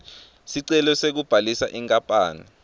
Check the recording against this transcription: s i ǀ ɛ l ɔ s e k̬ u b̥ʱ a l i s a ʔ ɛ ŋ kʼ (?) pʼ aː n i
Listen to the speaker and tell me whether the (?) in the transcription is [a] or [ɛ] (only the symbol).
a